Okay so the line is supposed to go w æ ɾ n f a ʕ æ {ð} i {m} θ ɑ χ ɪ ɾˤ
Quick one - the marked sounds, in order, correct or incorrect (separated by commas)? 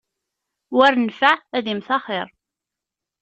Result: correct, correct